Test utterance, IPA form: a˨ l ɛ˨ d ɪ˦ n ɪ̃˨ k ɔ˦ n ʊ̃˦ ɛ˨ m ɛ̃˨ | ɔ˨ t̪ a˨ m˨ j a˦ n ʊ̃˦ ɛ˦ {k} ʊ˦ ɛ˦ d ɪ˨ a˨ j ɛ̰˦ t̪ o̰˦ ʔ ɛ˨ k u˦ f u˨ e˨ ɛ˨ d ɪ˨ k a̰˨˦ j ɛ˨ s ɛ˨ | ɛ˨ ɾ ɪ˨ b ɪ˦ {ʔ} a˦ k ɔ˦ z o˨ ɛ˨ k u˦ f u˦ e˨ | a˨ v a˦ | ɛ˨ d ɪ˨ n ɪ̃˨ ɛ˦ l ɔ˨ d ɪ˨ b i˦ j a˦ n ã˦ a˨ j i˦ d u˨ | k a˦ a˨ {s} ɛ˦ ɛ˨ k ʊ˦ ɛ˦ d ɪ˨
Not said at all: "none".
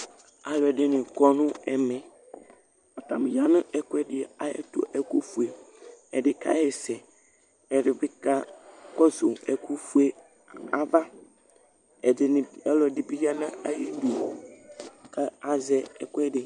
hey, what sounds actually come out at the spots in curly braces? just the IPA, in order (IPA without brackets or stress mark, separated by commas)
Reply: k, k, z